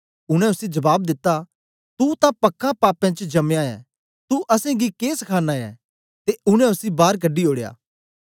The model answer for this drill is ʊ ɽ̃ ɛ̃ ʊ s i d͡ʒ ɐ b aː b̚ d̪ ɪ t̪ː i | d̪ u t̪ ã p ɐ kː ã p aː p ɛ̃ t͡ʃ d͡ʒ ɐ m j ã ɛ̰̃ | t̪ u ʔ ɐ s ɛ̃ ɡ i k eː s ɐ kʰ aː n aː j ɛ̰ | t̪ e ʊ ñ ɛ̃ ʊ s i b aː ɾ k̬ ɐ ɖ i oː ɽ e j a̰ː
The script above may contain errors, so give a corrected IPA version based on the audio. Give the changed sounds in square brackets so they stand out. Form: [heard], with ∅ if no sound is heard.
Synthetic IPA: ʊ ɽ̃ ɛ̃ ʊ s i d͡ʒ ɐ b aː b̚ d̪ ɪ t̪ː [a] | [t̪] u t̪ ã p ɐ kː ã p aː p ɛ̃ t͡ʃ d͡ʒ ɐ m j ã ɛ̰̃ | t̪ u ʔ ɐ s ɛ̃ ɡ i k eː s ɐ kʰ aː n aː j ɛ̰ | t̪ e ʊ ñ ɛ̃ ʊ s i b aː ɾ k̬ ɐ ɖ i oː ɽ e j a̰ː